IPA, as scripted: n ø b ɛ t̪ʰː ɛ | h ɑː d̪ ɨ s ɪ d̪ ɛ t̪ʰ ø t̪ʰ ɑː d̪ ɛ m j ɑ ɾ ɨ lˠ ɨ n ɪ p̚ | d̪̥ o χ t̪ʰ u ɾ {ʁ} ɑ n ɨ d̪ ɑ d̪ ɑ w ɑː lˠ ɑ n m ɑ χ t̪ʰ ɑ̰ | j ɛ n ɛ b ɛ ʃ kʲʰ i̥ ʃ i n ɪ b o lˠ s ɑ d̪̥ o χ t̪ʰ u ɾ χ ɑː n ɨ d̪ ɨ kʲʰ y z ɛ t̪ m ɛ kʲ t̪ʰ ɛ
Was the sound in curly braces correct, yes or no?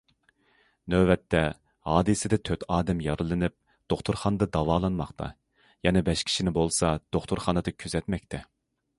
no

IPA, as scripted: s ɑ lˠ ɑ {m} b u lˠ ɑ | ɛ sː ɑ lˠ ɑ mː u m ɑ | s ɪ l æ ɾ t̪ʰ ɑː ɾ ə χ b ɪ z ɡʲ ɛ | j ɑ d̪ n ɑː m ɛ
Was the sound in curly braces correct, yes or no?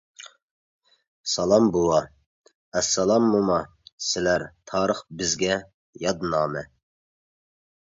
yes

